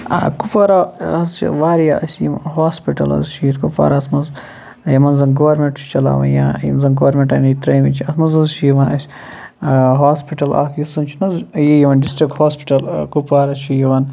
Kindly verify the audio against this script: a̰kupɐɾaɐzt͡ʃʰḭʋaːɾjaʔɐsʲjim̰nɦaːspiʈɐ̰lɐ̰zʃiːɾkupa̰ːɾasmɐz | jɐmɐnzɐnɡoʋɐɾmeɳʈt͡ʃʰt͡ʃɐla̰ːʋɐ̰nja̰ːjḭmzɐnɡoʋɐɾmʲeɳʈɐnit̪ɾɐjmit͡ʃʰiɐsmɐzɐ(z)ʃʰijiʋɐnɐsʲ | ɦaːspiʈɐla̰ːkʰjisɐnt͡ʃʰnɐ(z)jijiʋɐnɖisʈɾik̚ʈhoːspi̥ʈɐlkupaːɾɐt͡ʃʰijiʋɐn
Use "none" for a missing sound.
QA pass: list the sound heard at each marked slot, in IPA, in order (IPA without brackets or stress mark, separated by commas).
z, z